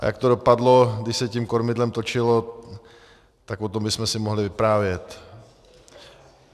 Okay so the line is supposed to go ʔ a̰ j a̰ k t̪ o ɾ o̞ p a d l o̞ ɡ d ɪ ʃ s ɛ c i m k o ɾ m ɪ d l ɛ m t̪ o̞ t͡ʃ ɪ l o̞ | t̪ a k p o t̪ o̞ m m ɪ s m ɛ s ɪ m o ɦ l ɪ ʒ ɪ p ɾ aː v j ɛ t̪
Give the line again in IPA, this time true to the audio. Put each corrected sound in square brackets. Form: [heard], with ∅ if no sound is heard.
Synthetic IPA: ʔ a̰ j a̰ k t̪ o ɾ o̞ p a d l o̞ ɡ d ɪ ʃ s ɛ c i m k o ɾ m ɪ d l ɛ m t̪ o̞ t͡ʃ ɪ l o̞ | t̪ a k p o t̪ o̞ m [b] ɪ s m ɛ s ɪ m o ɦ l ɪ [v] ɪ p ɾ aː v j ɛ t̪